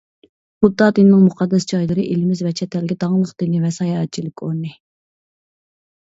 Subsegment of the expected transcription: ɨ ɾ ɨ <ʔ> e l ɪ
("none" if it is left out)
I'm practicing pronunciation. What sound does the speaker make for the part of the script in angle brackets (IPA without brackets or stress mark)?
ʔ